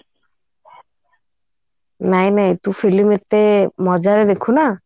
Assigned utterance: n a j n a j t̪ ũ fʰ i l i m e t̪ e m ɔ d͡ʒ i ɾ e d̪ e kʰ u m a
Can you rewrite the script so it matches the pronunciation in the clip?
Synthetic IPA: n a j n a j t̪ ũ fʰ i l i m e t̪ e m ɔ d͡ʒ a ɾ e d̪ e kʰ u n a